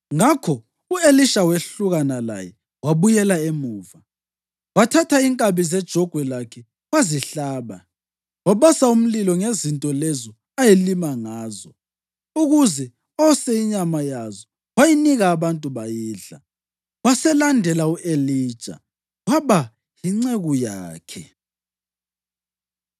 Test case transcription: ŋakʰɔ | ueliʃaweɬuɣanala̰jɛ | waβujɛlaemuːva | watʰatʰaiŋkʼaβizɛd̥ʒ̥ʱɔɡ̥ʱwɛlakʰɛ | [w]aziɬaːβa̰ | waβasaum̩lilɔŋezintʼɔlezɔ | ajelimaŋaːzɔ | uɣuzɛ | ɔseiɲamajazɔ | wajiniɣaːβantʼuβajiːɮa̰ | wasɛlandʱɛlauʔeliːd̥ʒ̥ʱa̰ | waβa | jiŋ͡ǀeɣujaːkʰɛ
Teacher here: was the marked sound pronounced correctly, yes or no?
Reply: yes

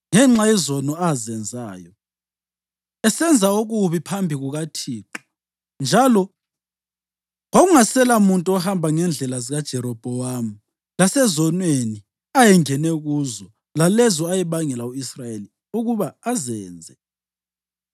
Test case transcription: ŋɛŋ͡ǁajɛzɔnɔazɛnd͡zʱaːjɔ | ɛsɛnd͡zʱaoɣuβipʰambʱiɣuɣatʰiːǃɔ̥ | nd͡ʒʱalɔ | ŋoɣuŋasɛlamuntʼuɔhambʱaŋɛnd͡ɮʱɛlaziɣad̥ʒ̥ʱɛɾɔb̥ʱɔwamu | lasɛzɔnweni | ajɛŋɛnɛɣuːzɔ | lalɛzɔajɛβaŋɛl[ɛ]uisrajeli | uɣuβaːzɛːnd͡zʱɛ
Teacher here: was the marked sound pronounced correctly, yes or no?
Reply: no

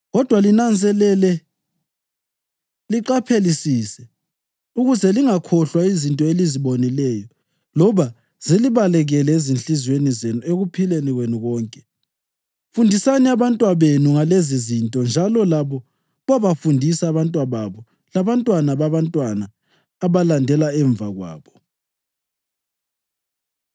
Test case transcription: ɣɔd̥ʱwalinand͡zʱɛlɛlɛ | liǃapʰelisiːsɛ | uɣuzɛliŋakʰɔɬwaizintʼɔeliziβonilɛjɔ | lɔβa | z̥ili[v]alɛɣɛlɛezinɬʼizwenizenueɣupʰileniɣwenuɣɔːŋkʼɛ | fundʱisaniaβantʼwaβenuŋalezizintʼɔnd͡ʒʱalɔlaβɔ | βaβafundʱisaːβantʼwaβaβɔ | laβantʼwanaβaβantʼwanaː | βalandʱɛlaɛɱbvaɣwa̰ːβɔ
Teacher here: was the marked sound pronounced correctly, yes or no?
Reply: no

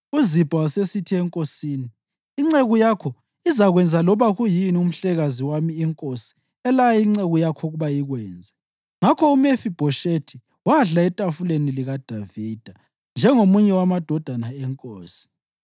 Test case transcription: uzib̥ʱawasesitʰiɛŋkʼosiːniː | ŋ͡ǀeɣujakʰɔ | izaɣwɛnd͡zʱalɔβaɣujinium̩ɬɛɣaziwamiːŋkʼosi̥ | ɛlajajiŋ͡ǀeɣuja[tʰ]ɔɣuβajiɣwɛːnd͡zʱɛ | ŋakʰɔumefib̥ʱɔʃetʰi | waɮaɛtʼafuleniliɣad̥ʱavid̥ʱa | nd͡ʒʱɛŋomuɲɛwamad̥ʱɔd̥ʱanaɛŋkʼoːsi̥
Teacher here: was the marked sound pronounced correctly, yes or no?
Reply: no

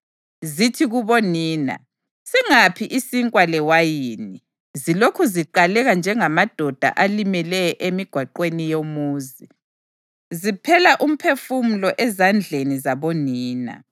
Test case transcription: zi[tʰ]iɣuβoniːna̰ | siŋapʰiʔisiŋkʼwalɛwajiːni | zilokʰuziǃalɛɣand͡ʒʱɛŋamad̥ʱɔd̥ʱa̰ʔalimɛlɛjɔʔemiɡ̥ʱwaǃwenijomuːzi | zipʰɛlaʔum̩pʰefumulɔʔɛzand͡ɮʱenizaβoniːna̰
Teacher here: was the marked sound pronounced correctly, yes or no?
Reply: yes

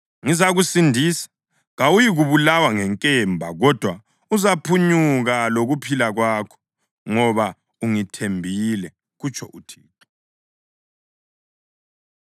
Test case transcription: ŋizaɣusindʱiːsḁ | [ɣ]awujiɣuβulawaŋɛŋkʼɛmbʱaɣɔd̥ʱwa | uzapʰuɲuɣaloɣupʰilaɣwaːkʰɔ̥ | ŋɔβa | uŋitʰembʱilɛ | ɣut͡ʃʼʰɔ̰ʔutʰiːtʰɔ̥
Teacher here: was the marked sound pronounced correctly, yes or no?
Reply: yes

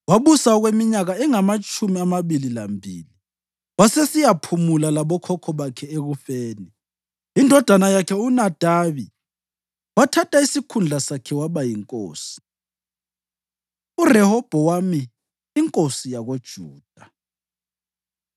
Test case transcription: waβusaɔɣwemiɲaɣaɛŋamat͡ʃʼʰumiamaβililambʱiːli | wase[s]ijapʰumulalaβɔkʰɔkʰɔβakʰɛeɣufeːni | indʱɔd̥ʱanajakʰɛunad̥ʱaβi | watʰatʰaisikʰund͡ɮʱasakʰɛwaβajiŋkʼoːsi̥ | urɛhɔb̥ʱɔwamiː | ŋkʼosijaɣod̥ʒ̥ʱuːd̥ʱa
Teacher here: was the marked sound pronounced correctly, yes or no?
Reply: yes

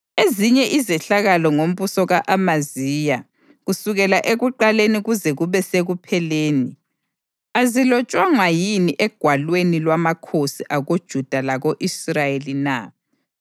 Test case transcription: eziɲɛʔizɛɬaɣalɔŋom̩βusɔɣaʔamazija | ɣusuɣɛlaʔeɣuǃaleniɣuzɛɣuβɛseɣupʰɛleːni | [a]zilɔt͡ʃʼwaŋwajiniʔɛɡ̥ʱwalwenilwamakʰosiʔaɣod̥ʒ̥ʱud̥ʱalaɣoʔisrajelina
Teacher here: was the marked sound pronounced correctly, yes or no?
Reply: yes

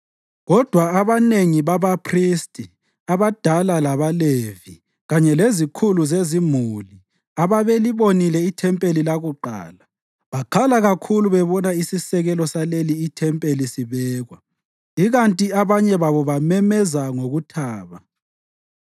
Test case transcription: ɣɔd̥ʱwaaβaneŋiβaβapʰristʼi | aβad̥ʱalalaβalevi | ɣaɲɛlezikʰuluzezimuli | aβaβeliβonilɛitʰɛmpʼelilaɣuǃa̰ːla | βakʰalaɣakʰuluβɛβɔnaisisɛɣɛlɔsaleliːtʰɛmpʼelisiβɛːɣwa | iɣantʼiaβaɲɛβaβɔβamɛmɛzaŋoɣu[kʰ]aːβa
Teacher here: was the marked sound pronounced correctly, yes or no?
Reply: no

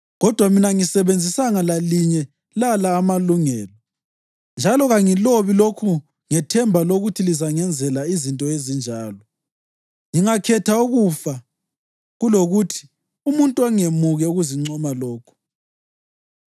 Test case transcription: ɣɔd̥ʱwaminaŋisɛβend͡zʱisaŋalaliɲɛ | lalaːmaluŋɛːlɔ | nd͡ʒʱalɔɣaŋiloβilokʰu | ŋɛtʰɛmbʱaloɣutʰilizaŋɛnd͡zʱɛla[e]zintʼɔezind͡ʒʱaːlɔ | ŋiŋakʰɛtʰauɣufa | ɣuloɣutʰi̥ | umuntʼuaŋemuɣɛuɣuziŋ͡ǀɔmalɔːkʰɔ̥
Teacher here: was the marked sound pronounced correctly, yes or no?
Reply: no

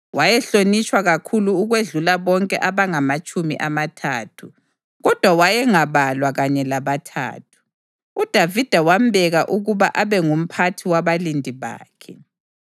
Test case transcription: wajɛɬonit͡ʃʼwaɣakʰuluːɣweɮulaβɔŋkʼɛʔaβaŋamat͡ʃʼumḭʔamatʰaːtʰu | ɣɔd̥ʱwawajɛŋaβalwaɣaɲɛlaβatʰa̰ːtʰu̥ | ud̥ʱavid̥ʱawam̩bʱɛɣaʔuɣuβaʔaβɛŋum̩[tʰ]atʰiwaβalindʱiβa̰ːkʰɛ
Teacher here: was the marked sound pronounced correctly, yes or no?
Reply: no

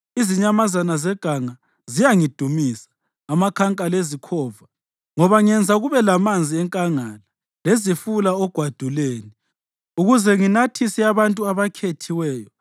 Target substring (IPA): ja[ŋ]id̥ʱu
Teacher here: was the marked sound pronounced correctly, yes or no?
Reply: yes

